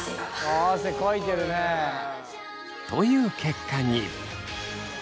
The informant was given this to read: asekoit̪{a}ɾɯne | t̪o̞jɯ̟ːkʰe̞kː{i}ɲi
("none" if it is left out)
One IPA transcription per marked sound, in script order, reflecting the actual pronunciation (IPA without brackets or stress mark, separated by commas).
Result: e, a